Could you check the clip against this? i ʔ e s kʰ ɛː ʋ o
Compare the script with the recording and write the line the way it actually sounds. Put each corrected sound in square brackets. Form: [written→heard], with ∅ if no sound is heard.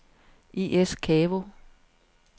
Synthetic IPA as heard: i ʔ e s kʰ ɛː ʋ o